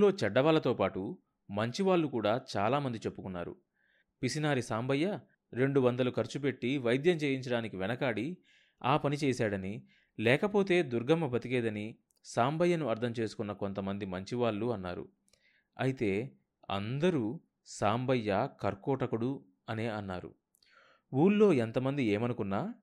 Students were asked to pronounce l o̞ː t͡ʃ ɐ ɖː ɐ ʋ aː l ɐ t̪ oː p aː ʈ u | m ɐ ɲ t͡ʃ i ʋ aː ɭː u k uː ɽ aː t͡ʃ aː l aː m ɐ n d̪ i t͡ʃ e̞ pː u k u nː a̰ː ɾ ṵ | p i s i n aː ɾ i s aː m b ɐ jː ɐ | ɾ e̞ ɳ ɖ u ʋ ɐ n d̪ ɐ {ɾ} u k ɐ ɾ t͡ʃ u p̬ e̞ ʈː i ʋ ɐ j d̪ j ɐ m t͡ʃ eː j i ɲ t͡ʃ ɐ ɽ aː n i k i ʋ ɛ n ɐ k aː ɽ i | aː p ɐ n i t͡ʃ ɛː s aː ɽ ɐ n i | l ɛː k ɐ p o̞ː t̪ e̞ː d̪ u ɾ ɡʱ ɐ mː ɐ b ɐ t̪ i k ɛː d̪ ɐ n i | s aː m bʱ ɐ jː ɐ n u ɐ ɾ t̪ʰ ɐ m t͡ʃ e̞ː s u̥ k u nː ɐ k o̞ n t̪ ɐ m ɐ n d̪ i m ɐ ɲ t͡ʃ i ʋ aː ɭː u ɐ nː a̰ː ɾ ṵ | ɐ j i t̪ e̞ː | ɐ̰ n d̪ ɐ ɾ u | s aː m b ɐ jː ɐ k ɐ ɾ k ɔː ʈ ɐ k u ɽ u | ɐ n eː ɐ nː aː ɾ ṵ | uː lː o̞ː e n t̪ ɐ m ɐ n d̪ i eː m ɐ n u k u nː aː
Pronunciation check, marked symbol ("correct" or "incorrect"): incorrect